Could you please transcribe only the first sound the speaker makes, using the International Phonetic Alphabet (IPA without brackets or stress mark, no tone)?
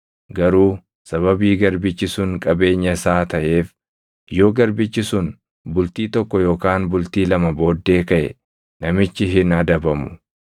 ɡ